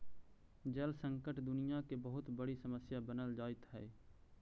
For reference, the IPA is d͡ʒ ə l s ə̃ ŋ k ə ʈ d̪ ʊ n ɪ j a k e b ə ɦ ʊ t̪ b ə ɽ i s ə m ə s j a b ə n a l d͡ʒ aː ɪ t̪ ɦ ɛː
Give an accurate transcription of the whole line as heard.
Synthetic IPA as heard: d͡ʒ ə l s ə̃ ŋ k ə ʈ d̪ ʊ n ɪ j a k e b ə ɦ ʊ t̪ b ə ɽ i s ə m ə s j a b ə n ə l d͡ʒ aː ɪ t̪ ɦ ɛː